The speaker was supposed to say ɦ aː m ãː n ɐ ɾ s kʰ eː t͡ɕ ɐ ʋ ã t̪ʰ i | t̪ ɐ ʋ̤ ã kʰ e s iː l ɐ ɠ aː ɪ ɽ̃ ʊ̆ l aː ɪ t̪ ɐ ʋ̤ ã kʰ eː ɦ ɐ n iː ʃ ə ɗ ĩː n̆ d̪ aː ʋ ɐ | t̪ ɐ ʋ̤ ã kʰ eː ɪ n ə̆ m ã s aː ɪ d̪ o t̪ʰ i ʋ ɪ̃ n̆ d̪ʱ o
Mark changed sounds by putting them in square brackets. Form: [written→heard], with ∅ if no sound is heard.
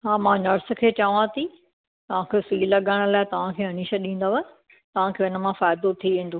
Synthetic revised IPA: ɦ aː m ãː n ɐ ɾ s kʰ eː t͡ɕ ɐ ʋ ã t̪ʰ i | t̪ ɐ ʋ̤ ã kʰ e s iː l ɐ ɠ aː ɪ ɽ̃ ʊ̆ l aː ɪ t̪ ɐ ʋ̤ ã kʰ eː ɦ ɐ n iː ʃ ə ɗ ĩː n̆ d̪ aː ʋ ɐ | t̪ ɐ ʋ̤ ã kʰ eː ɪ n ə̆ m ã [s→f] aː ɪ d̪ o t̪ʰ i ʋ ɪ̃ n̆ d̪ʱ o